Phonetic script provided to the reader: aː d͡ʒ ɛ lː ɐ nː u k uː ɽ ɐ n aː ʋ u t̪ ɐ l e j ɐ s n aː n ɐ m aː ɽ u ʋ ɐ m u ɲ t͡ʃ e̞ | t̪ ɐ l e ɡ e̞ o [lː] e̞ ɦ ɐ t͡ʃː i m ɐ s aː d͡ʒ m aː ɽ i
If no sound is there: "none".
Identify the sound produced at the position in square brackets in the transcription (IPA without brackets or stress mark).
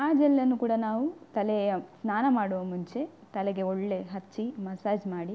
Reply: ɭː